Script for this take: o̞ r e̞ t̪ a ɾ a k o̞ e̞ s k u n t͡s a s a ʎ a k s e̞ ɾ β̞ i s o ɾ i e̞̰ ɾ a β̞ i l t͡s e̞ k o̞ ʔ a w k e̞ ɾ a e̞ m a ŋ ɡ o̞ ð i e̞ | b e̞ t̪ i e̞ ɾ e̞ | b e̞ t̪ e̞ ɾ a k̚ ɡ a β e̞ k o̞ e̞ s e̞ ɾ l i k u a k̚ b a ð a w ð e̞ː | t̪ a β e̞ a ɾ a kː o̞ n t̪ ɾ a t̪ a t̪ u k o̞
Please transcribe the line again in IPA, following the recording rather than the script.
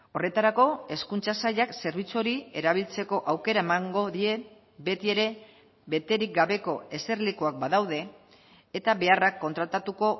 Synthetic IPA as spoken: o̞ r e̞ t̪ a ɾ a k o̞ e̞ s k u n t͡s a s a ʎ a k s e̞ ɾ β̞ i t͡s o ɾ i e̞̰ ɾ a β̞ i l t͡s e̞ k o̞ ʔ a w k e̞ ɾ a e̞ m a ŋ ɡ o̞ ð i e̞ | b e̞ t̪ i e̞ ɾ e̞ | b e̞ t̪ e̞ ɾ i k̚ ɡ a β e̞ k o̞ e̞ s e̞ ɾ l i k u a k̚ b a ð a w ð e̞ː | t̪ a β e̞ a r a kː o̞ n t̪ ɾ a t̪ a t̪ u k o̞